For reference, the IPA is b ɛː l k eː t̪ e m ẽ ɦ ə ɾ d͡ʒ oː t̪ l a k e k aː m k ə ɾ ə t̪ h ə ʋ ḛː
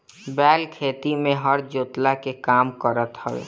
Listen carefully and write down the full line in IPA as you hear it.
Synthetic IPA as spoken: b ɛː l kʰ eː t̪ i m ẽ ɦ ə ɾ d͡ʒ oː t̪ l a k e k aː m k ə ɾ ə t̪ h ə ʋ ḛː